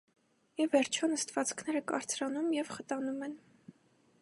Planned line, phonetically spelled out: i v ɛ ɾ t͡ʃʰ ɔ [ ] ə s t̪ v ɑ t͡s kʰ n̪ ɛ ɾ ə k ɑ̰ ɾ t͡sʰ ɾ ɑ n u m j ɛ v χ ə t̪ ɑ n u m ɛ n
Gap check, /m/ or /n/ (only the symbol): n